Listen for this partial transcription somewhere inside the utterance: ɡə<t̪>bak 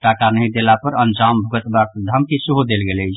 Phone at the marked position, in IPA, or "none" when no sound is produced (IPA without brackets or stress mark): t̪